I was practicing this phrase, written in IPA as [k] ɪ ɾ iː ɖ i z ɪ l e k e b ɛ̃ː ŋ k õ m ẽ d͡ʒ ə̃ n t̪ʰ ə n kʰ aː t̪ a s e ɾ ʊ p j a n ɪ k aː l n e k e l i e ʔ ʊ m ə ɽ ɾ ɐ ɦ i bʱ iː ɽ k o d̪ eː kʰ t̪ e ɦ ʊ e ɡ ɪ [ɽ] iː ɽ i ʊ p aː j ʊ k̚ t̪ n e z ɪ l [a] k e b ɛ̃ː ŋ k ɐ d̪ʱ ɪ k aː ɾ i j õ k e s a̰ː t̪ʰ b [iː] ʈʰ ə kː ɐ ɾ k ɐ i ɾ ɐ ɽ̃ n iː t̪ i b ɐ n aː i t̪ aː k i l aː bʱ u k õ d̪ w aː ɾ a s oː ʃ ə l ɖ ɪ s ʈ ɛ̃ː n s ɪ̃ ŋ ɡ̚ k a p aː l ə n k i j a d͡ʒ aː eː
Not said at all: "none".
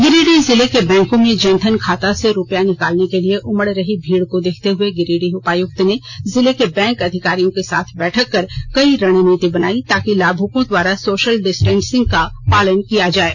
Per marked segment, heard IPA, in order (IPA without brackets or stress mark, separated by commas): ɡ, ɾ, e, ɛː